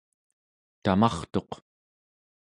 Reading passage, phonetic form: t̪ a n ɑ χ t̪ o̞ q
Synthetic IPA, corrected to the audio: t̪ a m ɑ χ t̪ o̞ q